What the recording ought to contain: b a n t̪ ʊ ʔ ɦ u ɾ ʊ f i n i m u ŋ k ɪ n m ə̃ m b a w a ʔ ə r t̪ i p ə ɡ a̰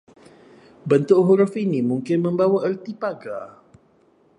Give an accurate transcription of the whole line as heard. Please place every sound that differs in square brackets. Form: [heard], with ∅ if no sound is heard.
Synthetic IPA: b [ə] n t̪ ʊ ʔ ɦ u ɾ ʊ f i n i m u ŋ k ɪ n m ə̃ m b a w a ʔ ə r t̪ i p [a] ɡ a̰